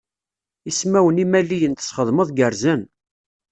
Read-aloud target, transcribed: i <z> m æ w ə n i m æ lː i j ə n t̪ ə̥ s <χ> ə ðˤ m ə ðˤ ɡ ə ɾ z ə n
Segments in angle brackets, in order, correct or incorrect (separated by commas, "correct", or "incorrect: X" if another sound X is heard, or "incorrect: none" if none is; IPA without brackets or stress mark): incorrect: s, correct